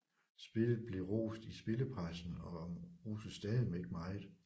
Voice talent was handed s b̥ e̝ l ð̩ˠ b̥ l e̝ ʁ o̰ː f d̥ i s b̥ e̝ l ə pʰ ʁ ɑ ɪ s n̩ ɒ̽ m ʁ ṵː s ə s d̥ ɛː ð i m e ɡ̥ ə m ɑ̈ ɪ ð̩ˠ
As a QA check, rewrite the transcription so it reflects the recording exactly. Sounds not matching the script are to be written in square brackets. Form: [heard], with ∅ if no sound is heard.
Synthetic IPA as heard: s b̥ e̝ l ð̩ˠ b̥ l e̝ ʁ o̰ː [s] d̥ i s b̥ e̝ l ə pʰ ʁ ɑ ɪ s n̩ ɒ̽ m ʁ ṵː s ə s d̥ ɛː ð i m e ɡ̥ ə m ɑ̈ ɪ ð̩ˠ

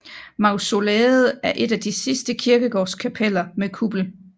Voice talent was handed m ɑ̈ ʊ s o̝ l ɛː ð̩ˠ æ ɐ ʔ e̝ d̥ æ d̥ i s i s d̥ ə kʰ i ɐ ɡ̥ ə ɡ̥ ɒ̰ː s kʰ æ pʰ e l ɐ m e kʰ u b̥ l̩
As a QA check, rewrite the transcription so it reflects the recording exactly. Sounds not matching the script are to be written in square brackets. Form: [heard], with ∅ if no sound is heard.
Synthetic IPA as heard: m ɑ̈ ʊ s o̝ l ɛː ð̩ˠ æ ɐ ʔ e̝ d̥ æ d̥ i s i s d̥ ə kʰ i ɐ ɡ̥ ə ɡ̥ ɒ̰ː s kʰ æ pʰ e l ɐ m e kʰ u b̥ l̩

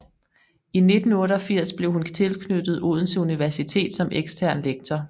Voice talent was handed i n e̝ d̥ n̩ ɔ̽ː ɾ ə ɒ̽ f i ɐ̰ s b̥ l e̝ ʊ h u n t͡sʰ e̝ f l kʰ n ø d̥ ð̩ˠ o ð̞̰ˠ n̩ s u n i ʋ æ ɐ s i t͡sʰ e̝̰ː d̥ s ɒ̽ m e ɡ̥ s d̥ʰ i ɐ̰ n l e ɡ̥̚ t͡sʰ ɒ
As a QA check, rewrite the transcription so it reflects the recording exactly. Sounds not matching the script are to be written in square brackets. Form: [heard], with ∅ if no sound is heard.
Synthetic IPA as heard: i n e̝ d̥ n̩ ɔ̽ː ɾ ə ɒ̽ f i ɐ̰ s b̥ l e̝ ʊ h u n t͡sʰ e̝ [∅] l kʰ n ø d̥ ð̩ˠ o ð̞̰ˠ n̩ s u n i ʋ æ ɐ s i t͡sʰ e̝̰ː d̥ s ɒ̽ m e ɡ̥ s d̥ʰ [æ] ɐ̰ n l e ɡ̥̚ t͡sʰ ɒ

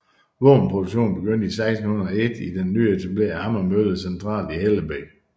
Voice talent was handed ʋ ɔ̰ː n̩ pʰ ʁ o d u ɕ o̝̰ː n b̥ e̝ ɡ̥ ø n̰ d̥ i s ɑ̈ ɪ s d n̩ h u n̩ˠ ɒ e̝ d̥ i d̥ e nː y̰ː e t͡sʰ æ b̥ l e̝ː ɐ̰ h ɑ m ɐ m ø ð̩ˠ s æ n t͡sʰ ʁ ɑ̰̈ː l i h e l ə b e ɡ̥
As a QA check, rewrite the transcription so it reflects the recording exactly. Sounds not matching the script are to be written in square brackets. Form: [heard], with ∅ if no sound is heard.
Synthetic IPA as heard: ʋ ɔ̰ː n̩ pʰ ʁ o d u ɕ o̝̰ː n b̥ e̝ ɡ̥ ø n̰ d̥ i s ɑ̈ ɪ s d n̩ h u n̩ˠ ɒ e̝ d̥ i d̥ e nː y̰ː e t͡sʰ æ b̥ l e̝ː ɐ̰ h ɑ m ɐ m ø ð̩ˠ s [e] n t͡sʰ ʁ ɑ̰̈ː l i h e l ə b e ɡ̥

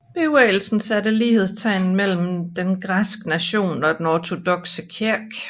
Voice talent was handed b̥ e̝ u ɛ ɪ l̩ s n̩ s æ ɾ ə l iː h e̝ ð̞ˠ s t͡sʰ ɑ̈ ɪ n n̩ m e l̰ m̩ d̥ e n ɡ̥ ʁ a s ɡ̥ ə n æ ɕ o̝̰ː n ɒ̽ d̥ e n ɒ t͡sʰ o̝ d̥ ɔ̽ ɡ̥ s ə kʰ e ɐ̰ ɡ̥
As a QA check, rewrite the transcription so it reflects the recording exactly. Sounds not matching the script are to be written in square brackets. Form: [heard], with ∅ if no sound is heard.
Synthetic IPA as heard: b̥ e̝ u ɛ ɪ l̩ s n̩ s æ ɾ ə l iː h e̝ ð̞ˠ s t͡sʰ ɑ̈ ɪ n n̩ m e l̰ m̩ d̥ e n ɡ̥ ʁ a s ɡ̥ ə n æ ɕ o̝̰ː n ɒ̽ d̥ e n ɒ t͡sʰ o̝ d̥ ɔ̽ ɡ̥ s ə kʰ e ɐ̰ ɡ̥

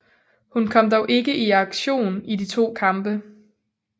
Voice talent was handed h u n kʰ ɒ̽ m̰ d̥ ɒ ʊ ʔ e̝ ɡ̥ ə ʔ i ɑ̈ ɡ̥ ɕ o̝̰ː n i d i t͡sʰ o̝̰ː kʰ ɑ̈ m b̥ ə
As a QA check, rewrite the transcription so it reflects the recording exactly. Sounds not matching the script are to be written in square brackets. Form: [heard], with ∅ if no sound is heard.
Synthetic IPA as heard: h u n kʰ ɒ̽ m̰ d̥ ɒ ʊ ʔ e̝ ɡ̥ ə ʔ i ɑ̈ ɡ̥ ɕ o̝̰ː n i d i t͡sʰ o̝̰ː kʰ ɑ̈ m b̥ ə

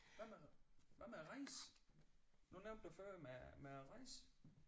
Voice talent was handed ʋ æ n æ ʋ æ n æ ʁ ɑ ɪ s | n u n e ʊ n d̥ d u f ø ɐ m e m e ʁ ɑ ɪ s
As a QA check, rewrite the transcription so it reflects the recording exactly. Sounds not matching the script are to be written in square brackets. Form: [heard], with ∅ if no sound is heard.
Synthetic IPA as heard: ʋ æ [m] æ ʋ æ [m] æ ʁ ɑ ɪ s | n u n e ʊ n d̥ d u f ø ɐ m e m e ʁ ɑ ɪ s

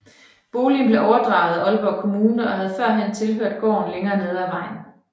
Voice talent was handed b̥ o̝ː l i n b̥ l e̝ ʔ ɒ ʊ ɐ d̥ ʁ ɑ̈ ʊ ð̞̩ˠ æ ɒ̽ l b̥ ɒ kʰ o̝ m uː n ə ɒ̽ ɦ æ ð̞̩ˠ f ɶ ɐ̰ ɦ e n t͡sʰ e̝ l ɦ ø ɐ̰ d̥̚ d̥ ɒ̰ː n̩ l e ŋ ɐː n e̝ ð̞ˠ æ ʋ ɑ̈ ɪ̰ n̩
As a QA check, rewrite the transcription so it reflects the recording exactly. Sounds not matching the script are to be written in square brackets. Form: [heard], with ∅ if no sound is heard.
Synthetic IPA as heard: b̥ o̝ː l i n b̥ l e̝ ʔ ɒ ʊ ɐ d̥ ʁ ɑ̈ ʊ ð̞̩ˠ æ ɒ̽ l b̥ ɒ kʰ o̝ m uː n ə ɒ̽ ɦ æ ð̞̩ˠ f ɶ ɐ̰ ɦ e n t͡sʰ e̝ l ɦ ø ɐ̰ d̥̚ [ɡ̥] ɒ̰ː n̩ l e ŋ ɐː n e̝ ð̞ˠ æ ʋ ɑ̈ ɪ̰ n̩

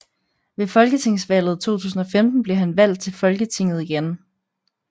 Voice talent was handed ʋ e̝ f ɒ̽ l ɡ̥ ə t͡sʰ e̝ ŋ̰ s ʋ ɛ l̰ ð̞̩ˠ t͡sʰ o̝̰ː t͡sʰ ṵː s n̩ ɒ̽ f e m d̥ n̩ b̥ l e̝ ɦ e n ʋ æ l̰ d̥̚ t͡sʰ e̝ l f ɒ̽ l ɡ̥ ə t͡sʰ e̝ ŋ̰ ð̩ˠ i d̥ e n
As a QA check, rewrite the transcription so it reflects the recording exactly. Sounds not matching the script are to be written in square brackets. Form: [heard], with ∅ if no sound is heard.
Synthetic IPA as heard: ʋ e̝ f ɒ̽ l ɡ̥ ə t͡sʰ e̝ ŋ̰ s ʋ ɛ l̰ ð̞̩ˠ t͡sʰ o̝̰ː t͡sʰ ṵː s n̩ ɒ̽ f e m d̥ n̩ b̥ l e̝ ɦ [æ] n ʋ æ l̰ d̥̚ t͡sʰ e̝ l f ɒ̽ l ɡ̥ ə t͡sʰ e̝ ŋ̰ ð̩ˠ i [ɡ̥] e n

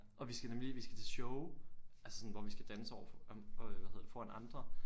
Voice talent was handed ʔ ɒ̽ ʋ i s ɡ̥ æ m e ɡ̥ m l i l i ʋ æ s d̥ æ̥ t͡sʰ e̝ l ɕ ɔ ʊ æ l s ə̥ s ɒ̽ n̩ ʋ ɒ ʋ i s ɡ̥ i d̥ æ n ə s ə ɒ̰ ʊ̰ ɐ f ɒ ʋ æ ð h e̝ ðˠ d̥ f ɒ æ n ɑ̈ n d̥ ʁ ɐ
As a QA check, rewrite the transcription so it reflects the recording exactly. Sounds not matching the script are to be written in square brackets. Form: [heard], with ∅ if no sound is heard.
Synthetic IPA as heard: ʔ ɒ̽ ʋ i s ɡ̥ æ [n] e [∅] m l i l i ʋ [i] s [ɡ̥] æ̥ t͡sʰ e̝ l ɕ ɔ ʊ æ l s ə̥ s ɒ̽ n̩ ʋ ɒ ʋ i s ɡ̥ [æ] d̥ æ n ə s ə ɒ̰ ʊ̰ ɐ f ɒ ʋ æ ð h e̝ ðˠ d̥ f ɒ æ n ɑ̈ n d̥ ʁ ɐ

